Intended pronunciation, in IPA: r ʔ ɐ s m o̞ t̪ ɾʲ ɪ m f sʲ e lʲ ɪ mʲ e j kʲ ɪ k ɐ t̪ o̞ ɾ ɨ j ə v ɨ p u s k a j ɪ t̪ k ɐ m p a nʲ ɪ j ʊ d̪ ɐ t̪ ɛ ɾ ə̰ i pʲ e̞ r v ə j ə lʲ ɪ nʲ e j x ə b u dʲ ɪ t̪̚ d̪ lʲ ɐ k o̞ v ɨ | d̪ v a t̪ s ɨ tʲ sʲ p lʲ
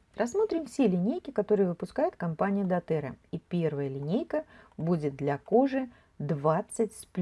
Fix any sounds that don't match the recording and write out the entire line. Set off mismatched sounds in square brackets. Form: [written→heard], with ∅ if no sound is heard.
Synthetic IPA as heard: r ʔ ɐ s m o̞ t̪ ɾʲ ɪ m f sʲ e lʲ ɪ [mʲ→nʲ] e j kʲ ɪ k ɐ t̪ o̞ ɾ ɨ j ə v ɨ p [u→ʊ] s k a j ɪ t̪ k ɐ m p a nʲ ɪ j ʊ d̪ ɐ t̪ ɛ ɾ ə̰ i pʲ e̞ r v ə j ə lʲ ɪ nʲ e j [x→k] ə b u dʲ ɪ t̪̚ d̪ lʲ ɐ k o̞ [v→ʐ] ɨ | d̪ v a t̪ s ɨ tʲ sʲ p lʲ